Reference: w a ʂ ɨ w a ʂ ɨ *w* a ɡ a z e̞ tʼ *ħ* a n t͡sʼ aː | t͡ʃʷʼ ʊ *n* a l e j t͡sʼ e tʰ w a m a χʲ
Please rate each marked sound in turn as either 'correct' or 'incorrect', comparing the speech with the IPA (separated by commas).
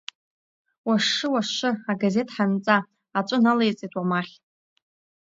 incorrect, correct, correct